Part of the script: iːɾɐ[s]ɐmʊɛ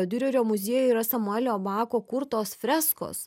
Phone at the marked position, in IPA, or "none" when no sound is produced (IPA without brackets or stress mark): s